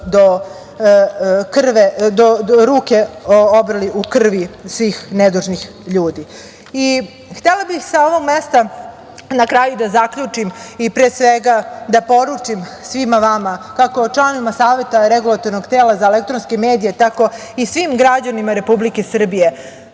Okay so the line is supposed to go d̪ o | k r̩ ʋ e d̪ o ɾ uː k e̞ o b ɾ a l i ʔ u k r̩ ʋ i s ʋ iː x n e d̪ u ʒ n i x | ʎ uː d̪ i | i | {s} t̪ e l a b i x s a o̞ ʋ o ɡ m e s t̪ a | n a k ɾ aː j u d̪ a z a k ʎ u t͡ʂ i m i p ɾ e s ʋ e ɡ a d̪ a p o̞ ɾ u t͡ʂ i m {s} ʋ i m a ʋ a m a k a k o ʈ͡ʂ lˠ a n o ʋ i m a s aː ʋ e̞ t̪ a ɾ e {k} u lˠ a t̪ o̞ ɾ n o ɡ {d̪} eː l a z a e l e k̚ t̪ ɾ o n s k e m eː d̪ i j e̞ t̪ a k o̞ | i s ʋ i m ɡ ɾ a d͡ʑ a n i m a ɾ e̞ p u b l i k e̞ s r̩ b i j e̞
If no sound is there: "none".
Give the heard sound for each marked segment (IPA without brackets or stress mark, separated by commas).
x, s, ɡ, t̪